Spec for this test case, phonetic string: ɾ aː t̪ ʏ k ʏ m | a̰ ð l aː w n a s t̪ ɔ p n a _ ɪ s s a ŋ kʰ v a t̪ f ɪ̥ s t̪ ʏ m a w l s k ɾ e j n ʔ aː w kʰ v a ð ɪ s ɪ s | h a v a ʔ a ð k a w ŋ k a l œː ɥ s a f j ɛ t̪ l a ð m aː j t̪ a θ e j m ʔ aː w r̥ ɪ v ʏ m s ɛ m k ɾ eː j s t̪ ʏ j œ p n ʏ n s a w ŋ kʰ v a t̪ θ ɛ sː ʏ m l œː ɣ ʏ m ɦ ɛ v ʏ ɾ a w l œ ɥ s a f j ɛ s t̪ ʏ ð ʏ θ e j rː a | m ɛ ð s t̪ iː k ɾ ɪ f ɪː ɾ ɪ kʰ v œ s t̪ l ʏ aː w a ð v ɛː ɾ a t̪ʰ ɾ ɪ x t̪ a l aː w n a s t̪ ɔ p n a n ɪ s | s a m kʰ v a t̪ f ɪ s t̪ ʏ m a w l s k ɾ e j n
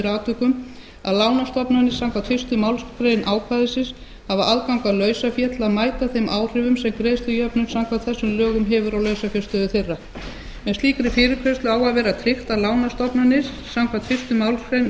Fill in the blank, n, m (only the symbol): n